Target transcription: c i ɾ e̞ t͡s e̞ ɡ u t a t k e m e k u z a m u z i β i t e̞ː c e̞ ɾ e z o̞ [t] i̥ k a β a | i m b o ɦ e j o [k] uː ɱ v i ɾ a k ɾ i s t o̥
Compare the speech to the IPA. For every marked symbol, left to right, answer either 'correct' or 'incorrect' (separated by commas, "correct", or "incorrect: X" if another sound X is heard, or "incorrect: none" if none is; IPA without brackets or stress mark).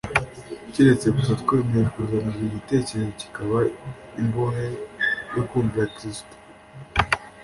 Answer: incorrect: c, correct